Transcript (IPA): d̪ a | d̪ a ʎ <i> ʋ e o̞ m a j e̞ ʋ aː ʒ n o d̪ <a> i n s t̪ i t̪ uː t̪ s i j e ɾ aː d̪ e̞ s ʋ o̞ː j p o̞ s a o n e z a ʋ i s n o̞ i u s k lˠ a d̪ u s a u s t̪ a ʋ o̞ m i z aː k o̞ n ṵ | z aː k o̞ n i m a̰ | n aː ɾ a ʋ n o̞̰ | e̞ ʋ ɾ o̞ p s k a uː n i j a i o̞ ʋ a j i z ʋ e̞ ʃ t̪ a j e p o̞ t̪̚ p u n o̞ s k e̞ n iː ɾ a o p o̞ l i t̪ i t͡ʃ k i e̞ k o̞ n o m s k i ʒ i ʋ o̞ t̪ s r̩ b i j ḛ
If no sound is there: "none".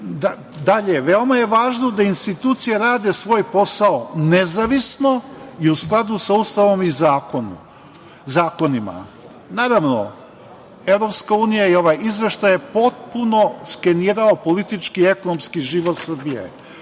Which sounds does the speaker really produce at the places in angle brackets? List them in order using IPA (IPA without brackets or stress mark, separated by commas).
e, a